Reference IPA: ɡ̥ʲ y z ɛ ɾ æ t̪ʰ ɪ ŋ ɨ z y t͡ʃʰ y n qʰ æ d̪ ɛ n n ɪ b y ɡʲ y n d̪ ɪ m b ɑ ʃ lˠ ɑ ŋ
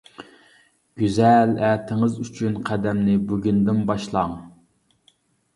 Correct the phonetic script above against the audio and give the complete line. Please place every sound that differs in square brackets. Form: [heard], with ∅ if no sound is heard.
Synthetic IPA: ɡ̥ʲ y z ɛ [l] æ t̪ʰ ɪ ŋ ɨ z y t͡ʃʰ y n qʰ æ d̪ ɛ [m] n ɪ b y ɡʲ y n d̪ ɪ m b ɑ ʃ lˠ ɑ ŋ